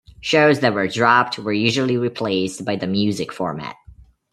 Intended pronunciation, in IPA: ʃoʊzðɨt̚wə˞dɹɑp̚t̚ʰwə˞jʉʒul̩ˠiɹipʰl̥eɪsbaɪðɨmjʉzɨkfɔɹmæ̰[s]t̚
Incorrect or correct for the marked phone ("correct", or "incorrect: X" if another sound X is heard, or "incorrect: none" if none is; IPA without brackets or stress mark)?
incorrect: none